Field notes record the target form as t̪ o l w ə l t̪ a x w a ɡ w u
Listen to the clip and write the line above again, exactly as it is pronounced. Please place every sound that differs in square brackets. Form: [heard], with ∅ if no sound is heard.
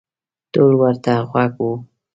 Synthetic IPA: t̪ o l w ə [ɾ] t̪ a [ɣ] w a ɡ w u